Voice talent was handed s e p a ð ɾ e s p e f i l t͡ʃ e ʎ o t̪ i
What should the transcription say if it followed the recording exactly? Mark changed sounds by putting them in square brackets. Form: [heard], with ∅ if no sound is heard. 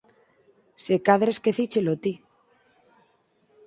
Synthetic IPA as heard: s e [k] a ð ɾ e s [k] e [θ] i [∅] t͡ʃ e [l] o t̪ i